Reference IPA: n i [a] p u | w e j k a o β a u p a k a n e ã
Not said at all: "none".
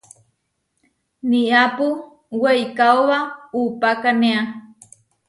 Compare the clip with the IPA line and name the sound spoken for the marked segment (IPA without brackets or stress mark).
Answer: a